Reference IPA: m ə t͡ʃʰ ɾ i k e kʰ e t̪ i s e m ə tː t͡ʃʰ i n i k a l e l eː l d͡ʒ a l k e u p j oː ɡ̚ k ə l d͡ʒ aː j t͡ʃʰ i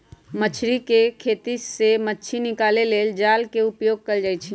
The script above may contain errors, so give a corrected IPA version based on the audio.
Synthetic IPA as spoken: m ə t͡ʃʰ ɾ i k e kʰ e t̪ i s e m ə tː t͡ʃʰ i n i k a l e l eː l d͡ʒ a l k e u p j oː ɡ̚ k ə l d͡ʒ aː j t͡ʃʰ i

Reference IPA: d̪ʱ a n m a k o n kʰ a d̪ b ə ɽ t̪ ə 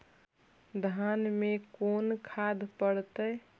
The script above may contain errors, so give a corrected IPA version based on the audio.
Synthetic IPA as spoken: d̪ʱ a n m e k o n kʰ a d̪ p ə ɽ t̪ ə

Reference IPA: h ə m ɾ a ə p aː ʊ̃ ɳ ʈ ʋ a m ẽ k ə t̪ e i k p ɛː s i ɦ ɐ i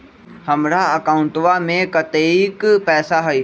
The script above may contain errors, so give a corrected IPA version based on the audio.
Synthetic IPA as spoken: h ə m ɾ a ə k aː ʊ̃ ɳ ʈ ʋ a m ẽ k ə t̪ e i k p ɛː s a ɦ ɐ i

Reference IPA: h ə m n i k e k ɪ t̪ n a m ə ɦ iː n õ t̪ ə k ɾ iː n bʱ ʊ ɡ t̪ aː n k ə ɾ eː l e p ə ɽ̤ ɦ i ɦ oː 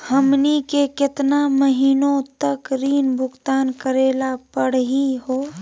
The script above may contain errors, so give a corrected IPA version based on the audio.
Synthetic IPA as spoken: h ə m n i k e k ɪ t̪ n a m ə ɦ iː n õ t̪ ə k ɾ iː n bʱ ʊ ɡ t̪ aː n k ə ɾ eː l a p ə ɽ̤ ɦ i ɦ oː

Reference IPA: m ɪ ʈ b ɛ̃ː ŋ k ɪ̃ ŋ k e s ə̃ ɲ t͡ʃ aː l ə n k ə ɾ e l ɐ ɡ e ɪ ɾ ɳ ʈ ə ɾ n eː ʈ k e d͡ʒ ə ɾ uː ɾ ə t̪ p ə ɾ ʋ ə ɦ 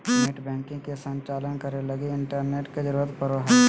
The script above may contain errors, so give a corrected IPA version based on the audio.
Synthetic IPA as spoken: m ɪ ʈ b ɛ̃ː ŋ k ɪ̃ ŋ k e s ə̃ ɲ t͡ʃ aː l ə n k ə ɾ e l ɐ ɡ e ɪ ɳ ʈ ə ɾ n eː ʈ k e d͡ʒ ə ɾ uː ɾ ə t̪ p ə ɾ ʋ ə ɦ

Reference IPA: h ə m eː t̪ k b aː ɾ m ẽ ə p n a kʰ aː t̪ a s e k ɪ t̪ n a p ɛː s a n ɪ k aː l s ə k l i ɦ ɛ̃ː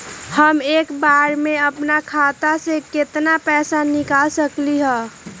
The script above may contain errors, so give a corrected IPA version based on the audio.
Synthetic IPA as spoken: h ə m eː k b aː ɾ m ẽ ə p n a kʰ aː t̪ a s e k ɪ t̪ n a p ɛː s a n ɪ k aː l s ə k l i ɦ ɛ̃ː

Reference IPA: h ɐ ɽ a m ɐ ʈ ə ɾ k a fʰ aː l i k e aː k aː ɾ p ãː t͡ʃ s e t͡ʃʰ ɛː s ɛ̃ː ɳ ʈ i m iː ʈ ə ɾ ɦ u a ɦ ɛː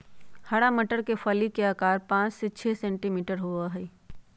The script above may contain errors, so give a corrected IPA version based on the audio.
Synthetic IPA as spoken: h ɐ ɽ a m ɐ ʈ ə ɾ k e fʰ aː l i k e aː k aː ɾ p ãː t͡ʃ s e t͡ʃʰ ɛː s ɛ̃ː ɳ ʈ i m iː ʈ ə ɾ ɦ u a ɦ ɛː

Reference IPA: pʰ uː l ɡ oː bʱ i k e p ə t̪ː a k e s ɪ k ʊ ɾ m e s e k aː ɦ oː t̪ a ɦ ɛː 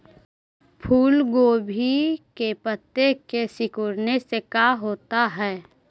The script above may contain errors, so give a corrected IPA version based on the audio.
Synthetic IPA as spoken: pʰ uː l ɡ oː bʱ i k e p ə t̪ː e k e s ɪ k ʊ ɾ n e s e k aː ɦ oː t̪ a ɦ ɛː

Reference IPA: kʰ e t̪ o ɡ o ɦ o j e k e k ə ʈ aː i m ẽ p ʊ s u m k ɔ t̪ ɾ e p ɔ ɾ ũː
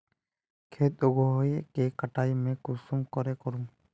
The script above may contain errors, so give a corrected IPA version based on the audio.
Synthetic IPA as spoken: kʰ e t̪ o ɡ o ɦ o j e k e k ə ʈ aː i m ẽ k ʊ s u m k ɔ ɾ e k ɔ ɾ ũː

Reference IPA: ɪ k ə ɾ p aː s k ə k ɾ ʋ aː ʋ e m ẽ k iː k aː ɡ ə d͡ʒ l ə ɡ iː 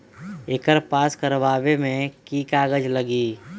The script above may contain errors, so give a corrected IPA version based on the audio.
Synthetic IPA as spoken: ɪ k ə ɾ p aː s k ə ɾ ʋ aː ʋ e m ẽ k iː k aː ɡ ə d͡ʒ l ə ɡ iː

